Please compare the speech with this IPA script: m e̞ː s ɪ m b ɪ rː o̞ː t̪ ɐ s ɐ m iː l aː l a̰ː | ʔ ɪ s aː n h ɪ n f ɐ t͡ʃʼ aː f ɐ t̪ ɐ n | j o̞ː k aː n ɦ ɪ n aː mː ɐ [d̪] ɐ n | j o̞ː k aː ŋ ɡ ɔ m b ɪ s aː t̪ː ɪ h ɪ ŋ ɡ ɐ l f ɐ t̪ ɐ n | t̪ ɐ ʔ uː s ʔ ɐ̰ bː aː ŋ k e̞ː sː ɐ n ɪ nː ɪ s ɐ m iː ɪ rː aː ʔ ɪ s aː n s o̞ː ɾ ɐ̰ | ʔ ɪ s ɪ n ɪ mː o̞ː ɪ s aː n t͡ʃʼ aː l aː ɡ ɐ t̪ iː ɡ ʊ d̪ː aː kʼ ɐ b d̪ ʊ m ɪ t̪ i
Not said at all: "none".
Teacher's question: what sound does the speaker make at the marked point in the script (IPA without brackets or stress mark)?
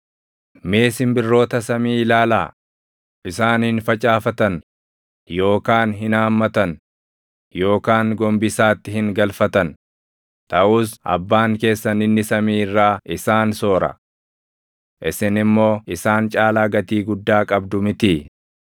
t̪